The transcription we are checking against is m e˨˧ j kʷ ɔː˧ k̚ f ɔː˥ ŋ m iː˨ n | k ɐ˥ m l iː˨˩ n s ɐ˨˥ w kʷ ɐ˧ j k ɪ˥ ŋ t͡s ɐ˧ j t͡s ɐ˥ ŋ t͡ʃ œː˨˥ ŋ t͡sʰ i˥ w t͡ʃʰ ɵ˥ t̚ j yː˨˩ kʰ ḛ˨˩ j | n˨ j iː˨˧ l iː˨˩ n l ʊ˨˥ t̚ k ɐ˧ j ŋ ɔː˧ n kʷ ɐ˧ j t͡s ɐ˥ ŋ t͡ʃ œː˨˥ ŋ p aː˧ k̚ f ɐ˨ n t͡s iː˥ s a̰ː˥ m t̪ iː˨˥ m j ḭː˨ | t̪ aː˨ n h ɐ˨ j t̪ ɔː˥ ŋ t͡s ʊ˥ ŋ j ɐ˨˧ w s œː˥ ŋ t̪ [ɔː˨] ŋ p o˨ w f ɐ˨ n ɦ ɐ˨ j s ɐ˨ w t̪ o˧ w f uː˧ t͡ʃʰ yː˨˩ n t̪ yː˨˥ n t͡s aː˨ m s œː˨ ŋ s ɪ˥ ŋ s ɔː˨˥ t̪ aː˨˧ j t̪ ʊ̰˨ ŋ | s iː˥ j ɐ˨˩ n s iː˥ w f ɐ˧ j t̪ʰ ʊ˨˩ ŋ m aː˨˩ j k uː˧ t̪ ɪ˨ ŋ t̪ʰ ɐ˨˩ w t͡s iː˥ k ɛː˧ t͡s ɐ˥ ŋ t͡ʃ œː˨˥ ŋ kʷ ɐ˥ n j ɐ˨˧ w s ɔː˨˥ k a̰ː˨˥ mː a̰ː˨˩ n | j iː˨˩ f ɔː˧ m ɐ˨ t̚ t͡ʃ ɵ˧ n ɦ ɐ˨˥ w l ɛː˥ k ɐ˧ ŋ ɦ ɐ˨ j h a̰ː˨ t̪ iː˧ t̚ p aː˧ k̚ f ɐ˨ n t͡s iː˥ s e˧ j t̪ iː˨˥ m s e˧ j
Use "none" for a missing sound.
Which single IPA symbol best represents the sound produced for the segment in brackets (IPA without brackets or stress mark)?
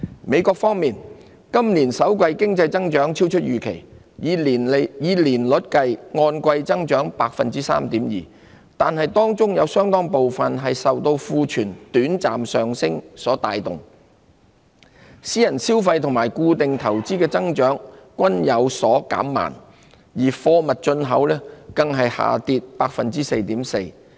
ɔː˥